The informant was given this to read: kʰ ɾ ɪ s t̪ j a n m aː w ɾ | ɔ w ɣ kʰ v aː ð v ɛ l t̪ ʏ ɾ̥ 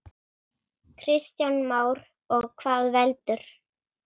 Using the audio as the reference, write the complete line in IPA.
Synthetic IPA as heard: kʰ ɾ ɪ s t̪ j a n m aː w ɾ | ɔ ɣ kʰ v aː ð v ɛ l t̪ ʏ ɾ̥